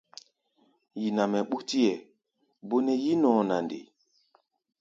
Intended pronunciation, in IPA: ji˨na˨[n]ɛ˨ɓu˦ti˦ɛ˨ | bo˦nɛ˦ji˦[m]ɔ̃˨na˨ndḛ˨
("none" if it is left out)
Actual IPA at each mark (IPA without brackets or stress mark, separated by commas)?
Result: m, n